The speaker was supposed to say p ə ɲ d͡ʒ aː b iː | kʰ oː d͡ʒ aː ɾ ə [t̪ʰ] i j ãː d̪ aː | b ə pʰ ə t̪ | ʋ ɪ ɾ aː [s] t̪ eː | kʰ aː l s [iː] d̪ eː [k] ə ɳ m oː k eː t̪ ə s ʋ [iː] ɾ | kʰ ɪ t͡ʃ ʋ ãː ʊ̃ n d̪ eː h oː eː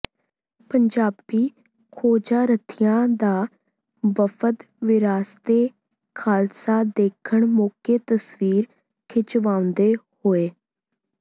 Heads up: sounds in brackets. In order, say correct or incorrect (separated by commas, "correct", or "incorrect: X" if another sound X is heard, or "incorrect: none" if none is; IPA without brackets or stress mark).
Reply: correct, correct, incorrect: aː, incorrect: kʰ, correct